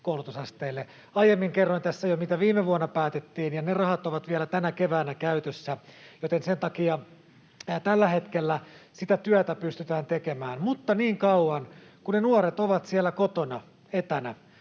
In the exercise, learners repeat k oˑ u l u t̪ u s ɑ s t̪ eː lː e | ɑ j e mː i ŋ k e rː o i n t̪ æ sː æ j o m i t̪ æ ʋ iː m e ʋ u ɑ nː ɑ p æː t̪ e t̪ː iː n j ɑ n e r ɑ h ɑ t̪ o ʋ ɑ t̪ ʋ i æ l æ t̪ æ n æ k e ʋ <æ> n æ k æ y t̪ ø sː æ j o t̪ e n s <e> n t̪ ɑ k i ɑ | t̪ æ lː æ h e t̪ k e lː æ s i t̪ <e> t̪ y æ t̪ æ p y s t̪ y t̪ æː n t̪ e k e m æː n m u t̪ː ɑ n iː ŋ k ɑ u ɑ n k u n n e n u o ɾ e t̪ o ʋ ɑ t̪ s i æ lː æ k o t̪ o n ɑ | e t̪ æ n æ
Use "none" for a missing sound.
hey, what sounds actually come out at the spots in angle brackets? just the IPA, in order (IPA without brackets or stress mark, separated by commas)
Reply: æː, e, æ